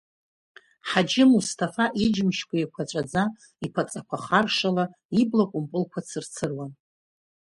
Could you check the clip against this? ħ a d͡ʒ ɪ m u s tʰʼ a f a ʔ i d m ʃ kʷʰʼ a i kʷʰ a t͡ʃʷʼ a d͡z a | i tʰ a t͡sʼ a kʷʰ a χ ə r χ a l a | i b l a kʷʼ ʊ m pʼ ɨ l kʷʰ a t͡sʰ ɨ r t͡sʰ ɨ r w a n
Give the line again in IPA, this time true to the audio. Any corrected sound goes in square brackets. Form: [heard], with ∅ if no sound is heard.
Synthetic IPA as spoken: ħ a d͡ʒ ɪ m u s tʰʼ a f a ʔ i [d͡ʒ] m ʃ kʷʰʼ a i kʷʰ a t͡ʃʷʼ a d͡z a | i [pʰ] a t͡sʼ a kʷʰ a χ [a] r [ʂ] a l a | i b l a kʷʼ ʊ m pʼ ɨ l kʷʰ a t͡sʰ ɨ r t͡sʰ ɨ r w a n

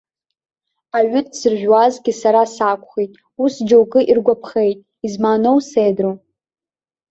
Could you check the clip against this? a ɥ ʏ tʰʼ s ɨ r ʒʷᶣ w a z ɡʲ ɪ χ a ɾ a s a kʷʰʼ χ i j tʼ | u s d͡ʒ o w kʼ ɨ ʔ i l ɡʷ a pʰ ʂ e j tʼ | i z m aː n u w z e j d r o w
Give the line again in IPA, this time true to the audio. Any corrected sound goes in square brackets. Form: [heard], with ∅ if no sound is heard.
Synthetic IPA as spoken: a ɥ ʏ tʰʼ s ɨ r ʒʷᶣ w a z ɡʲ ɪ [s] a ɾ a s a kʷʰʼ χ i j tʼ | u s d͡ʒ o w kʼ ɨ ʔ i [r] ɡʷ a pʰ [χ] e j tʼ | i z m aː n [o] w [s] e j d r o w

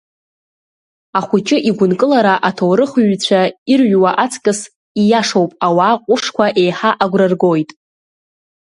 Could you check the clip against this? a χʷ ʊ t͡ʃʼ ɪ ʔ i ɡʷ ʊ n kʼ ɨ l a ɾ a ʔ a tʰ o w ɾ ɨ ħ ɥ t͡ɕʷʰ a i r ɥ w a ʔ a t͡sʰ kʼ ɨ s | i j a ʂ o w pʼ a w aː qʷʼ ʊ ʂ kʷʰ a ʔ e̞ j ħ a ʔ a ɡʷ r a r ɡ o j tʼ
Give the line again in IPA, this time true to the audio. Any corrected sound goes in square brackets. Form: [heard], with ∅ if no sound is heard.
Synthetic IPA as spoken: a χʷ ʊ t͡ʃʼ ɪ ʔ i ɡʷ ʊ n kʼ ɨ l a ɾ a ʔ a tʰ o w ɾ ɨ [χ] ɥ t͡ɕʷʰ a i r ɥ w a ʔ a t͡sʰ kʼ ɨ s | i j a ʂ o w pʼ a w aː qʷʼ ʊ ʂ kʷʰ a ʔ e̞ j ħ a ʔ a ɡʷ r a r ɡ o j tʼ

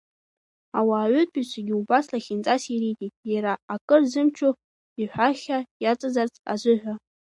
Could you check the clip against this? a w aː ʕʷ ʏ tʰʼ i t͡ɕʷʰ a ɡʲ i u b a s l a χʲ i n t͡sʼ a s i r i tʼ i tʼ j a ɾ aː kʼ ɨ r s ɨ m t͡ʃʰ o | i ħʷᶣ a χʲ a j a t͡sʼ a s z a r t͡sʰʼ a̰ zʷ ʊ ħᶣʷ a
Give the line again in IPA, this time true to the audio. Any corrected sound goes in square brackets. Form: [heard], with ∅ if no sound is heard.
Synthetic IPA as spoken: a w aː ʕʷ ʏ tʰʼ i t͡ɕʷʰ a ɡʲ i u b a s l a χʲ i n t͡sʼ a s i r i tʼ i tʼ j a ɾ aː kʼ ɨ r [z] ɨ m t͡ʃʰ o | i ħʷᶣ a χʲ a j a t͡sʼ a [∅] z a r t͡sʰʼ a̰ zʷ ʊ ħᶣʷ a

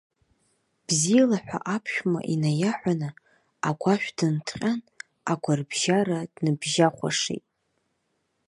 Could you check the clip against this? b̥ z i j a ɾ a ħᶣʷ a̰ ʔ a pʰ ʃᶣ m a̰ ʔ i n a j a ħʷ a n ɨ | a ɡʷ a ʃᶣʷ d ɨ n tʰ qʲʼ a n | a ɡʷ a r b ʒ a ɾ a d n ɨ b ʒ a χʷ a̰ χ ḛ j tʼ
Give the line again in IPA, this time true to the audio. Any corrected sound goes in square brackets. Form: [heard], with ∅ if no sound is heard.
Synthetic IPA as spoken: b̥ z i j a [l] a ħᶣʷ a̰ ʔ a pʰ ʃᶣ m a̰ ʔ i n a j a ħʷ a n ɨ | a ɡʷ a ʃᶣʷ d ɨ n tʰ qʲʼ a n | a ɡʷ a r b ʒ a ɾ a d n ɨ b ʒ a χʷ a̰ [ʂ] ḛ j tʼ

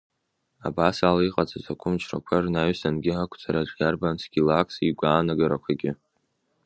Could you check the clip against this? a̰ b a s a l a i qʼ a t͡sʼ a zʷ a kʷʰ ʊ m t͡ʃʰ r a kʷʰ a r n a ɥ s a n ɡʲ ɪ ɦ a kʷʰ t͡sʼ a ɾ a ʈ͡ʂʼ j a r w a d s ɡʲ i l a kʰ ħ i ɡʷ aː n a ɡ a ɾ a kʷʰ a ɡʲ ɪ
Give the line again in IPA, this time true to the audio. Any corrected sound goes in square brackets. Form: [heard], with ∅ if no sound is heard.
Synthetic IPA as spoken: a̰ b a s a l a i qʼ a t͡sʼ a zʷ a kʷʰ ʊ m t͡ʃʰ r a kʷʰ a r n a ɥ s a n ɡʲ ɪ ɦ a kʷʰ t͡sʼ a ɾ a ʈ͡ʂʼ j a r [b] a [n] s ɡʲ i l a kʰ [s] i ɡʷ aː n a ɡ a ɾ a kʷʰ a ɡʲ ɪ

